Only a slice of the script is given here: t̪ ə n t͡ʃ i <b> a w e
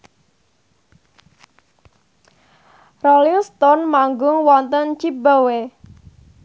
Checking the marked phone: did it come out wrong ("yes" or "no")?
no